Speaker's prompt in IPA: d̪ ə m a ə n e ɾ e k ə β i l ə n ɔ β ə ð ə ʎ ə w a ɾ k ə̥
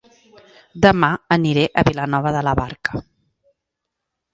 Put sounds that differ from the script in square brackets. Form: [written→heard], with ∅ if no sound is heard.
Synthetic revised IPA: d̪ ə m a ə n [e→i] ɾ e [k→ʔ] ə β i l ə n ɔ β ə ð ə [ʎ→l] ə [w→β] a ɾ k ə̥